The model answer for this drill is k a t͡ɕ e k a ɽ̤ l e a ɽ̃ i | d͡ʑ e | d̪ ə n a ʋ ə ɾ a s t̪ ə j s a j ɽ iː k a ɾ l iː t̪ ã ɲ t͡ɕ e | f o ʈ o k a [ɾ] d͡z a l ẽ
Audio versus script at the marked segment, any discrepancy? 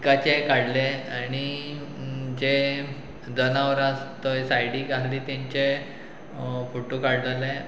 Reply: yes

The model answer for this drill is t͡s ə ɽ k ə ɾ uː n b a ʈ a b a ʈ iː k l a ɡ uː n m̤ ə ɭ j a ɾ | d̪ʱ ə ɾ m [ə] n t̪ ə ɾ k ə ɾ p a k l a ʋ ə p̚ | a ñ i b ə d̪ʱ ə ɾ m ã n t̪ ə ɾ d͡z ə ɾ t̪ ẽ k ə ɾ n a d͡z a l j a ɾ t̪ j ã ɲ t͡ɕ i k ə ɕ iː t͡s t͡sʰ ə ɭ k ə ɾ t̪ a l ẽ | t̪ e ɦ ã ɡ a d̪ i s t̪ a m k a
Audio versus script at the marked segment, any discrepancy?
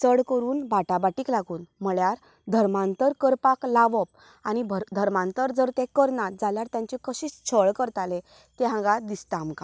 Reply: yes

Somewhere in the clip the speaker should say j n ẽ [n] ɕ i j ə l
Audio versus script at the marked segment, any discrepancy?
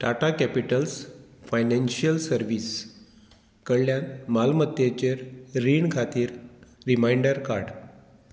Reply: no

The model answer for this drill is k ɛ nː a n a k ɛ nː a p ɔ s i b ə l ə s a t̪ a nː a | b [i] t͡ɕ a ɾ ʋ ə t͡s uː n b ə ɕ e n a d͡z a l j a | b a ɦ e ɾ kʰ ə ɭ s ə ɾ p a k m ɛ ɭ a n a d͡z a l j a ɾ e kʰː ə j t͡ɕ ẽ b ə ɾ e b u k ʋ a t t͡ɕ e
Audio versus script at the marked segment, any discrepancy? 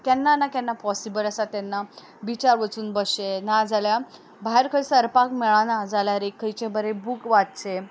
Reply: no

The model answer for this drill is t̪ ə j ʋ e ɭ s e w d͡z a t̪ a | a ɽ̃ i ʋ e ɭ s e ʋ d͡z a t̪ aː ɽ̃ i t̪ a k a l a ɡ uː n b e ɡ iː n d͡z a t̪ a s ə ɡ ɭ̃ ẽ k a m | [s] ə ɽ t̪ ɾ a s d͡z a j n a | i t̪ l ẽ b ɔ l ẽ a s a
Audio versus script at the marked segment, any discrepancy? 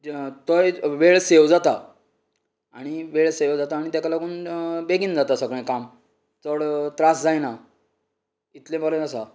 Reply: yes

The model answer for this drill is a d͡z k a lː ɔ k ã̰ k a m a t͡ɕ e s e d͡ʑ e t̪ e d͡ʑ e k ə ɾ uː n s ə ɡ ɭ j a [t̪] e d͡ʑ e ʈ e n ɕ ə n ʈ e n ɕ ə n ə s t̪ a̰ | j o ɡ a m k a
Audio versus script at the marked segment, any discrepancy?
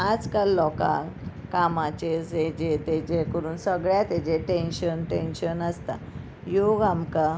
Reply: no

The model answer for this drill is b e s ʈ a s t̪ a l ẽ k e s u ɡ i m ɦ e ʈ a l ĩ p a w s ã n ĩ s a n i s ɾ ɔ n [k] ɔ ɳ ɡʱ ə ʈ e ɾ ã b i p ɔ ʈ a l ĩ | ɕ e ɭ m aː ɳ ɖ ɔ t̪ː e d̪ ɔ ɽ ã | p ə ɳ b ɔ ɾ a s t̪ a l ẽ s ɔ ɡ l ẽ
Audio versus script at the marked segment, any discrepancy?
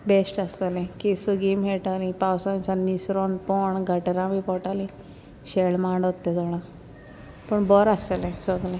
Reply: yes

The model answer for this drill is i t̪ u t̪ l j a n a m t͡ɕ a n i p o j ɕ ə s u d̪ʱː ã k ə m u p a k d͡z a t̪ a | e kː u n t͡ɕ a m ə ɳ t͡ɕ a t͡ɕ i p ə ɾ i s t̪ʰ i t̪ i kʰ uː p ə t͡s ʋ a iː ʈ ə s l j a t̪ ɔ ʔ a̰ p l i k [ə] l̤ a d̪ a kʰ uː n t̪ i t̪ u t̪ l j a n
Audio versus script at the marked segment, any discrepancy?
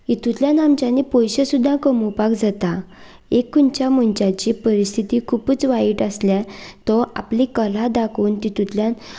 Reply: no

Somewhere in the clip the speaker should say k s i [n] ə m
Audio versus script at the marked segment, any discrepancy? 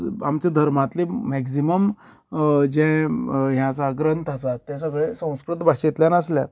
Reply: yes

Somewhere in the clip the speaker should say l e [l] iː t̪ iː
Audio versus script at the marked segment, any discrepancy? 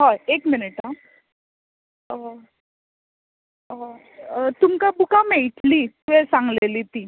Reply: no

